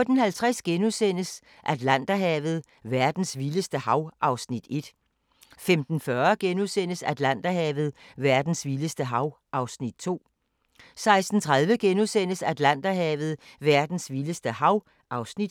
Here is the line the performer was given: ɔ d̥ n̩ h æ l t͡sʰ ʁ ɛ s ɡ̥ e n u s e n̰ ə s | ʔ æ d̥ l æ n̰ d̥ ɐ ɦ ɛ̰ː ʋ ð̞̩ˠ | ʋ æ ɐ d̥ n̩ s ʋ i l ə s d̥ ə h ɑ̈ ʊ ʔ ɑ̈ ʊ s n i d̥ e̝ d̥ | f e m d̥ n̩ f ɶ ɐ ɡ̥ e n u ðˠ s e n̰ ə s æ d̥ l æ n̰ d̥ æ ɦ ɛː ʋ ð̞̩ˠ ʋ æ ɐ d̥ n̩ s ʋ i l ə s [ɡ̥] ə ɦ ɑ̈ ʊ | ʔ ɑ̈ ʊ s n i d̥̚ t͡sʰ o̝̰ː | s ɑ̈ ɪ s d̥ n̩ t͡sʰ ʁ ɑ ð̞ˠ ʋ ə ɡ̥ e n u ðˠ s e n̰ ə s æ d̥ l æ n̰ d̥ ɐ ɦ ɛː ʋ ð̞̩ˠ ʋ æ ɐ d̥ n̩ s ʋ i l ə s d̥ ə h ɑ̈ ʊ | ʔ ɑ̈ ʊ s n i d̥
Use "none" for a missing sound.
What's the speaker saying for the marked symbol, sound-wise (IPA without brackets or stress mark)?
d̥